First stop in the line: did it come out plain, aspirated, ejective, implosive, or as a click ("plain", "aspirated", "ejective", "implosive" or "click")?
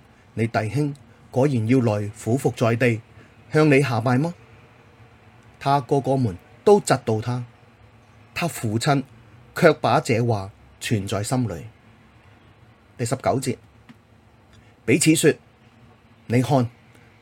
plain